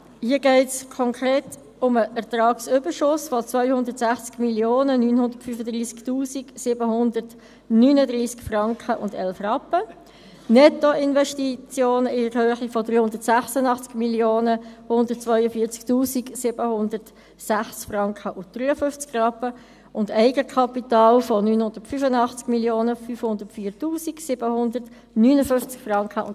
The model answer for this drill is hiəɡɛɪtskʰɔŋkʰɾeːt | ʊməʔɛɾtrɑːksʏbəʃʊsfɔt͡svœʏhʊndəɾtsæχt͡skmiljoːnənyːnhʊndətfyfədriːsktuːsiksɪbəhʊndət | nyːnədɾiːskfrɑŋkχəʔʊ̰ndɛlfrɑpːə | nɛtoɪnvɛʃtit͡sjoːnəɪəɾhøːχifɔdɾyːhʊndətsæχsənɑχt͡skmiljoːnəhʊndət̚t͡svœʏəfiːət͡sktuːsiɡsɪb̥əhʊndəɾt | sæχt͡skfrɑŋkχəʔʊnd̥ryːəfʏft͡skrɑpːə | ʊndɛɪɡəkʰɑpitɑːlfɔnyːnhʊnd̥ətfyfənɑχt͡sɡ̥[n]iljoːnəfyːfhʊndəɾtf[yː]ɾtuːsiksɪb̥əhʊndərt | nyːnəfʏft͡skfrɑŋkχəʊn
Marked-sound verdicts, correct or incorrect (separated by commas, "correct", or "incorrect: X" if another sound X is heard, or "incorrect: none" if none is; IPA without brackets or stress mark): incorrect: m, incorrect: iː